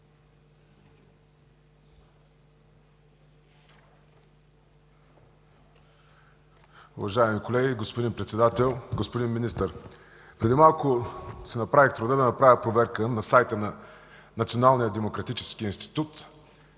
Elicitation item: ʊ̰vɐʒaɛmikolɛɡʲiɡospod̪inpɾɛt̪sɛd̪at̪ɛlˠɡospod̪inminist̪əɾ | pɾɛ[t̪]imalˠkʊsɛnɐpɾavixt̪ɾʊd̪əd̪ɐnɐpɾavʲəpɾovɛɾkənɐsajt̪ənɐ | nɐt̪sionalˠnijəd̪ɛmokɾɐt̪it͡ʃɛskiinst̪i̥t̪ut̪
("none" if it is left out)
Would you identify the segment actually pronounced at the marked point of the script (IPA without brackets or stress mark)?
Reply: d̪